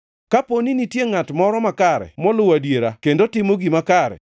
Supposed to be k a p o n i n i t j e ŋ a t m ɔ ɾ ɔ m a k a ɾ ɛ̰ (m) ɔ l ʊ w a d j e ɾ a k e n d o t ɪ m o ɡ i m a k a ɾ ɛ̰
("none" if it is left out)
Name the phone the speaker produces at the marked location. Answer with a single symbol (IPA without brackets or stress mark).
m